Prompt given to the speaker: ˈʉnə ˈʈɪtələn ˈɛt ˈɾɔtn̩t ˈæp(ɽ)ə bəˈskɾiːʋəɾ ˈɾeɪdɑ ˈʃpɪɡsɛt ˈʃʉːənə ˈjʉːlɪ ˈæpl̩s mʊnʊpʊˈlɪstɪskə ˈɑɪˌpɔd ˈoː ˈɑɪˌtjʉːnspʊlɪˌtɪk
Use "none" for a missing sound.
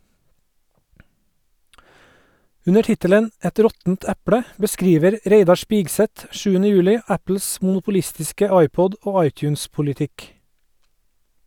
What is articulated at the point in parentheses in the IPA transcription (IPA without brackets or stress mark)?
ɽ